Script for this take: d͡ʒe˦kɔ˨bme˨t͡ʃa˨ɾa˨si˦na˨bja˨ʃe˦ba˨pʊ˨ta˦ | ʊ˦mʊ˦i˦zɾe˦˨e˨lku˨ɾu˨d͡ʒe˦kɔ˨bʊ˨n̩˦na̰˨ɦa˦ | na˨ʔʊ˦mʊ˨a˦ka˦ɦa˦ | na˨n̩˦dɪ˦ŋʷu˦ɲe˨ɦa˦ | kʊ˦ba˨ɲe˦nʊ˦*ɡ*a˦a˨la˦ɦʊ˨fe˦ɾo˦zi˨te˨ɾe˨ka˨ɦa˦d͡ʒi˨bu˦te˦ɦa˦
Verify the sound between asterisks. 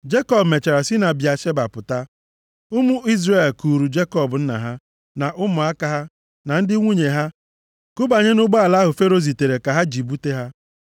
incorrect: ɡ͡b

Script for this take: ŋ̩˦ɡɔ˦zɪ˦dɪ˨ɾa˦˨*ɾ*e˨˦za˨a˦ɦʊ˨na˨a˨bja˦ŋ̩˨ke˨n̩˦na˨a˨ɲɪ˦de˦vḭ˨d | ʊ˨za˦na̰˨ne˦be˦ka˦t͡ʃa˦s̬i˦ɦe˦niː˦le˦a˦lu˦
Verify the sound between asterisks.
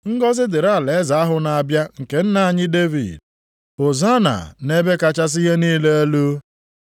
incorrect: l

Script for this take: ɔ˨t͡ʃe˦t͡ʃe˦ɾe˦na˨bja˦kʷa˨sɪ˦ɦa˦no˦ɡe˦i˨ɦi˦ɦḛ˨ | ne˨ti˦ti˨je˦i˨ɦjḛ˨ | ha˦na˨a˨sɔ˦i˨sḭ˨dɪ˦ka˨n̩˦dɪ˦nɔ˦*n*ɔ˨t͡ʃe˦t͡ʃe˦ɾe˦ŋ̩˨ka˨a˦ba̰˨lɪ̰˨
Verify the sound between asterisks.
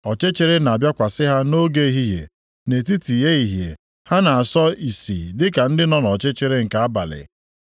correct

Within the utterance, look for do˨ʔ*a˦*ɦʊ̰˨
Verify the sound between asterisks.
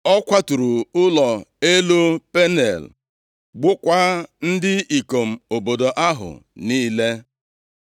correct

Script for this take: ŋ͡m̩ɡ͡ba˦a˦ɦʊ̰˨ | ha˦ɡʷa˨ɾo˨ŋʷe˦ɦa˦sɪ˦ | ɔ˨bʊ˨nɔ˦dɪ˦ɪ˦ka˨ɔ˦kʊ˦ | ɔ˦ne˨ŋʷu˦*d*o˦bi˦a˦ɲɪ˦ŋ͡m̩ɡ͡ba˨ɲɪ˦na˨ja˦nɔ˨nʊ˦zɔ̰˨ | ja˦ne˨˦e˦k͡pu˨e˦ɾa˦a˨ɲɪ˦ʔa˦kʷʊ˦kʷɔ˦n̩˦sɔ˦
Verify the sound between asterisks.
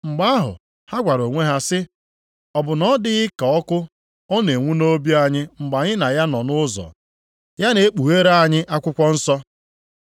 incorrect: n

